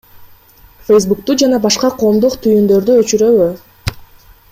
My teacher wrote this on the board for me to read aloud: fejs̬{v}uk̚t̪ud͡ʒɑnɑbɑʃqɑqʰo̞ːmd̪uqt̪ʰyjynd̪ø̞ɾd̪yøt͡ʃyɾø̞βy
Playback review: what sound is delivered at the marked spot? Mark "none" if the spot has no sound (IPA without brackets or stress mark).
b